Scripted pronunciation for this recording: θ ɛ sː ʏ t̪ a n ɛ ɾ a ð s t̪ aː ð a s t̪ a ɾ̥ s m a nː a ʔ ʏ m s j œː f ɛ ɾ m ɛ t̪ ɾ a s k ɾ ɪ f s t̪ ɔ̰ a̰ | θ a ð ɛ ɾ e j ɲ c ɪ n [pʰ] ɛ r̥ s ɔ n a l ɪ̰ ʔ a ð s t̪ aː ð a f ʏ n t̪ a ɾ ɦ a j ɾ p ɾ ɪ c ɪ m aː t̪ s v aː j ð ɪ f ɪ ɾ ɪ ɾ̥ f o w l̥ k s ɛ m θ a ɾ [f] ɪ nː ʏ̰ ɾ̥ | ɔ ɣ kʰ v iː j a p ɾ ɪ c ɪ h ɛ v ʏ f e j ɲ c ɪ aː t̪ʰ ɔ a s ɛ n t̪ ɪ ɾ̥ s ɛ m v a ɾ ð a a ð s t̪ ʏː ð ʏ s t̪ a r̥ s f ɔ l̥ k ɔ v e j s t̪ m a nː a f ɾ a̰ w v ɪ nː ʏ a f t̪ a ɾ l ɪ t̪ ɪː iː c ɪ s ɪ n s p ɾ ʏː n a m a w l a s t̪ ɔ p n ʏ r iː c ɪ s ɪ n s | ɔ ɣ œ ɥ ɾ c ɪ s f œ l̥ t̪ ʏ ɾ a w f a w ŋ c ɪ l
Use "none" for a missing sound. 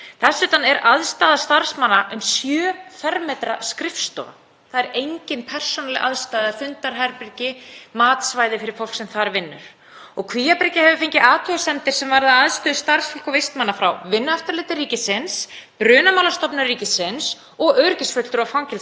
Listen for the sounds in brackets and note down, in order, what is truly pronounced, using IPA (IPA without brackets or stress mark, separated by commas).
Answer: pʰ, v